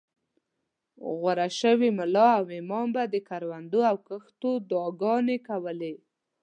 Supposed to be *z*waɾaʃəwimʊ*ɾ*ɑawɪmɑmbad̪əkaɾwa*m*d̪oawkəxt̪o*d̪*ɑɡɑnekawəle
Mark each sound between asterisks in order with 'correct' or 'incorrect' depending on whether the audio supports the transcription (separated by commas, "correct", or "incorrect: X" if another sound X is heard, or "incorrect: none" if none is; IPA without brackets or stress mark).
incorrect: ɣ, incorrect: l, incorrect: n, correct